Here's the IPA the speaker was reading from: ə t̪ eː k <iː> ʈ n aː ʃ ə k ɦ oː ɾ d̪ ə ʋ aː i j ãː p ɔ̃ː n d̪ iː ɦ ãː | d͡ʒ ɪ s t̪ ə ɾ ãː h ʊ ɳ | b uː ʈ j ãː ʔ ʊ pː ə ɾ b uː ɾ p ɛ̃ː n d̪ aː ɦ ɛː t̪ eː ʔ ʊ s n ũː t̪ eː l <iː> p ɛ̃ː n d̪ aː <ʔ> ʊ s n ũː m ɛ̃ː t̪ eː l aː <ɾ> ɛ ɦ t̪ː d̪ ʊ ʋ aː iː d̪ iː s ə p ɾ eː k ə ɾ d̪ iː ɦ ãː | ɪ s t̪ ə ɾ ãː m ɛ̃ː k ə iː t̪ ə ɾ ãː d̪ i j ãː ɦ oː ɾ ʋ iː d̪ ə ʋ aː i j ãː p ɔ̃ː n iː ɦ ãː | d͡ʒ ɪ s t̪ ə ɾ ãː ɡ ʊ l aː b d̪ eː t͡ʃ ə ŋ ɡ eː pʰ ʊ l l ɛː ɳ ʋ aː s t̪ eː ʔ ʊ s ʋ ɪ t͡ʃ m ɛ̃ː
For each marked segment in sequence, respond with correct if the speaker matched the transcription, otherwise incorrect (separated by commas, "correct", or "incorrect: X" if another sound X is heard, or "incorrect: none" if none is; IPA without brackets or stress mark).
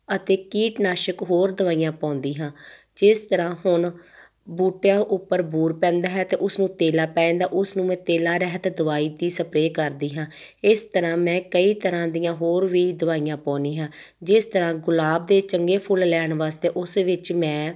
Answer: correct, incorrect: aː, correct, correct